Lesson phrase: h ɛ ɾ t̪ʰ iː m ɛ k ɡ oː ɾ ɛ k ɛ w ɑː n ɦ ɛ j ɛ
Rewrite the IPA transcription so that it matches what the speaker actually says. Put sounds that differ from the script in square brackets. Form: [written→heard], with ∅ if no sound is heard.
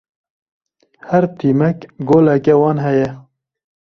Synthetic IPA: h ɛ ɾ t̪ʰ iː m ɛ k ɡ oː [ɾ→l] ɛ k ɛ w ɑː n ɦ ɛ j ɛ